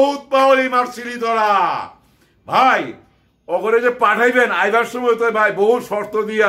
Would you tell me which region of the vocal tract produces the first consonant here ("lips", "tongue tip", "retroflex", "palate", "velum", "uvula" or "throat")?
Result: throat